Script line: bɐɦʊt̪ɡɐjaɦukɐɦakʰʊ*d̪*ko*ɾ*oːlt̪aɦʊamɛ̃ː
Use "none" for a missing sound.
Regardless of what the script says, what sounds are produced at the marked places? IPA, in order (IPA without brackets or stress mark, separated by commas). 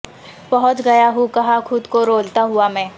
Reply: d̪, ɾ